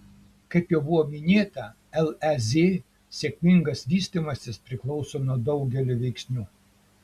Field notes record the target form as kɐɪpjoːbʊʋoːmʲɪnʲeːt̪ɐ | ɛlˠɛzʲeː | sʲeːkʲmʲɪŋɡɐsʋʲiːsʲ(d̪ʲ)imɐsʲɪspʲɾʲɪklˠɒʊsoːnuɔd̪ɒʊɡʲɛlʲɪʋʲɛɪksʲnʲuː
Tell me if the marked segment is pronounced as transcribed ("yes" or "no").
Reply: no